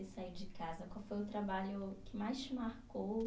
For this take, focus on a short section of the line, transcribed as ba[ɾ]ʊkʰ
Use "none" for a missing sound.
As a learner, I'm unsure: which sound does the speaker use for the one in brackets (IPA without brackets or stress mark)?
ʎ